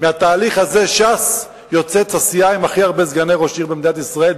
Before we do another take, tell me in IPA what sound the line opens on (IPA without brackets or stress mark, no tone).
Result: m